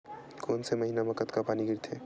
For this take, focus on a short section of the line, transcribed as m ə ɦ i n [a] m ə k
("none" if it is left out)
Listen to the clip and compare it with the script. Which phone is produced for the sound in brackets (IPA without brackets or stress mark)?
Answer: a